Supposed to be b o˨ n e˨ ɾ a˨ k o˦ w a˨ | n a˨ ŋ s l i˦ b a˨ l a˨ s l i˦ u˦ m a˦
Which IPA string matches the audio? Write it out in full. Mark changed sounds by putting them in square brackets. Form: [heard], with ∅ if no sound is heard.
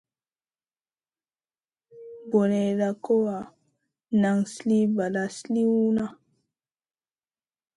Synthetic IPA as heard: b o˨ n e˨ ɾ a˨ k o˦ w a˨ | n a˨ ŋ s l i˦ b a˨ l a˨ s l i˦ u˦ [n] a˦